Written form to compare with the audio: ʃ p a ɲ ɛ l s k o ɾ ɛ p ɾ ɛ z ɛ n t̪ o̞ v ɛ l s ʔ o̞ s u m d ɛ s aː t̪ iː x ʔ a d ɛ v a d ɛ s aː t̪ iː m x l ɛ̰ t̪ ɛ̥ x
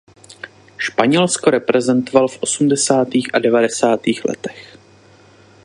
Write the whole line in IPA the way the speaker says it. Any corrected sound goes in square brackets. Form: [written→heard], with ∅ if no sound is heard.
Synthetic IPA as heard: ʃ p a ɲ ɛ l s k o ɾ ɛ p ɾ ɛ z ɛ n t̪ o̞ v [ɛ→a] l [s→f] ʔ o̞ s u m d ɛ s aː t̪ iː x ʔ a d ɛ v a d ɛ s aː t̪ iː [m→∅] x l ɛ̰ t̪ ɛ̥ x